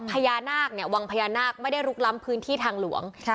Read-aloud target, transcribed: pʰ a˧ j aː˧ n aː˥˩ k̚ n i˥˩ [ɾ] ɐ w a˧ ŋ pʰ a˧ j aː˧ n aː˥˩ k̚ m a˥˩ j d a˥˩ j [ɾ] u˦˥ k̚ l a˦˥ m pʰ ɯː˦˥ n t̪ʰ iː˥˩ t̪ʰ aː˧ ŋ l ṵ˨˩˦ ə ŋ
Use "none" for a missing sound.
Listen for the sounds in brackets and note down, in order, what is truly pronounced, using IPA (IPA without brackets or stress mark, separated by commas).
none, ɾ